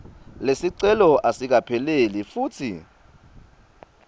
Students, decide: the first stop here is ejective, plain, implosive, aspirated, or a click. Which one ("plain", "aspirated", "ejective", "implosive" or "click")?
click